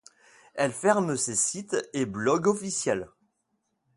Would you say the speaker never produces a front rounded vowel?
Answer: yes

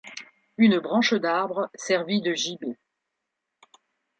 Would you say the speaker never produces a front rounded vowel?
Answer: no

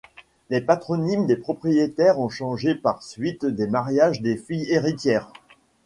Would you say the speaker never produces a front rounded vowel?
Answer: yes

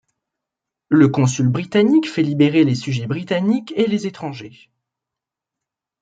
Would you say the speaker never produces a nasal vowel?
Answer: no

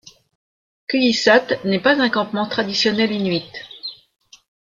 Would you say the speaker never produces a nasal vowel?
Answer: no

